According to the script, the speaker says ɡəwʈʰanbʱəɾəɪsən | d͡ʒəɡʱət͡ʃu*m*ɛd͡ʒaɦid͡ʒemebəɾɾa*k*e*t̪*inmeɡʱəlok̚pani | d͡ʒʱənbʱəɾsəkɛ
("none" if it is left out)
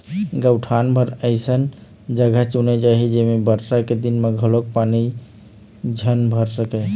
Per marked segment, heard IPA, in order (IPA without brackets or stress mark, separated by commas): n, k, d̪